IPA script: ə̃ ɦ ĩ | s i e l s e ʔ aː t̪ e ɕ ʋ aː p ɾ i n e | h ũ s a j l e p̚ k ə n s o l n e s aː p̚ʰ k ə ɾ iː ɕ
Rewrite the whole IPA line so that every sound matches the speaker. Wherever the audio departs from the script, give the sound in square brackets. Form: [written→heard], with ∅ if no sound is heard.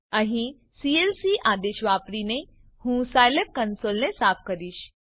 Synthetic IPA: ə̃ ɦ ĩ | s i e l s [e→i] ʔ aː [t̪→d̪] e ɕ ʋ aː p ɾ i n e | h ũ s a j l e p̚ k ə n s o l n e s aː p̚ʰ k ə ɾ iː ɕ